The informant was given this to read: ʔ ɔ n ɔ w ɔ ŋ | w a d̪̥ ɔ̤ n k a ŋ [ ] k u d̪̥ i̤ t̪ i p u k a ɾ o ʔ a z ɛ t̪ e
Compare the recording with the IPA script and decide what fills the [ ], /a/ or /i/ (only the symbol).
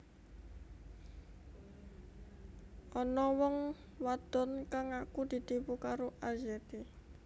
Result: a